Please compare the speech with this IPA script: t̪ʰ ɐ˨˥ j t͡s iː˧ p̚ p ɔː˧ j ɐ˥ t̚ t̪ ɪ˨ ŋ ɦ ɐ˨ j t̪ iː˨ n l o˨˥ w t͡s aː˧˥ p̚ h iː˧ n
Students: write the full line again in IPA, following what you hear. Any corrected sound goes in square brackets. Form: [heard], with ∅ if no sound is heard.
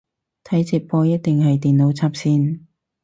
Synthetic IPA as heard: t̪ʰ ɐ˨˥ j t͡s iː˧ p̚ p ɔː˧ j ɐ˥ t̚ t̪ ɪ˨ ŋ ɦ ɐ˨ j t̪ iː˨ n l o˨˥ w [t͡sʰ] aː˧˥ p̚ [s] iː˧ n